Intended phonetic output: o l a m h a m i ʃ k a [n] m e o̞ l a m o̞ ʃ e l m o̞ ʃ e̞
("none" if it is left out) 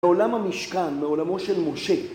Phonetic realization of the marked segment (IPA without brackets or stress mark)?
n